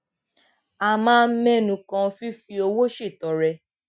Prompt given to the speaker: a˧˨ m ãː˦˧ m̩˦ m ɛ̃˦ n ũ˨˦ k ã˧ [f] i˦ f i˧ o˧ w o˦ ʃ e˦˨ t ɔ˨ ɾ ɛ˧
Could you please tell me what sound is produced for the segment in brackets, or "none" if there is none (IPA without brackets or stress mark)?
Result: f